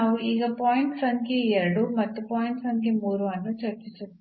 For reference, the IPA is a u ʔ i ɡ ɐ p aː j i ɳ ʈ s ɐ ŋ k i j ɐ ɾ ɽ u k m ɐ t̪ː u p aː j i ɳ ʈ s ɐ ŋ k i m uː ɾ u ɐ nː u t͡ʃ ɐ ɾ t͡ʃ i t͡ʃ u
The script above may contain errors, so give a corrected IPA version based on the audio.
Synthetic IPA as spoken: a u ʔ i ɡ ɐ p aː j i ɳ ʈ s ɐ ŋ k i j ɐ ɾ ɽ u m ɐ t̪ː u p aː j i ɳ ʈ s ɐ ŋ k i m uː ɾ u ɐ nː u t͡ʃ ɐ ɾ t͡ʃ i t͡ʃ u